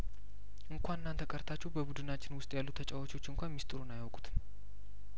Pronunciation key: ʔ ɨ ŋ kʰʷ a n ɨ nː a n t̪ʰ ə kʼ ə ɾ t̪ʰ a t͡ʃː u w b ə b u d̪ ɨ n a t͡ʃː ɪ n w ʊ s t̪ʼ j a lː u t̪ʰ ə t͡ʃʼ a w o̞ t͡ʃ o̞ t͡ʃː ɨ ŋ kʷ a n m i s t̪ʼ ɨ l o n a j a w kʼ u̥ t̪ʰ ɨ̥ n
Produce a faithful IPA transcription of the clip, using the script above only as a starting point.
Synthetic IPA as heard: ʔ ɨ ŋ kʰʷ a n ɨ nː a n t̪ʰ ə kʼ ə ɾ t̪ʰ a t͡ʃː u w b ə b u d̪ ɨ n a t͡ʃː ɪ n w ʊ s t̪ʼ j a lː u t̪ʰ ə t͡ʃʼ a w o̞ t͡ʃ o̞ t͡ʃː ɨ ŋ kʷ a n m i s t̪ʼ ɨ ɾ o n a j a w kʼ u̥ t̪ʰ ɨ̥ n

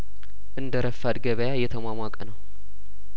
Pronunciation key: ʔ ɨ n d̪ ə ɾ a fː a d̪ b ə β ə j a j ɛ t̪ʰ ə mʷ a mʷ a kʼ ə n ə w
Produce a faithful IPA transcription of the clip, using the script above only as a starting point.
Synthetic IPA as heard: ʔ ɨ n d̪ ə ɾ ə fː a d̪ ɡ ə β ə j a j ɛ t̪ʰ ə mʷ a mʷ a kʼ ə n ə w

